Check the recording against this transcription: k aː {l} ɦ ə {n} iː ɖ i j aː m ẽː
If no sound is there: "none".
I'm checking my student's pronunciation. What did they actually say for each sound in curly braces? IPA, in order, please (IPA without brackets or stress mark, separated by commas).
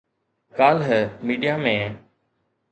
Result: l, m